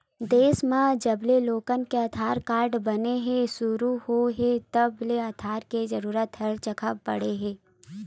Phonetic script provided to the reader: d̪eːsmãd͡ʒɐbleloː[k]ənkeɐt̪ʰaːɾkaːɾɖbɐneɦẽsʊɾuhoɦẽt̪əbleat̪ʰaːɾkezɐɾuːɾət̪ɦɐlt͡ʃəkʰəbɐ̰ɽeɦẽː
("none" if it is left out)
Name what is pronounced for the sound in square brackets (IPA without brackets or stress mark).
k